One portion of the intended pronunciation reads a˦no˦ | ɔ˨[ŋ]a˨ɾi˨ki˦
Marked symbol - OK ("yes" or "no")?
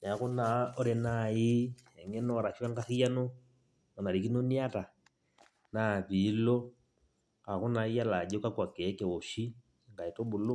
no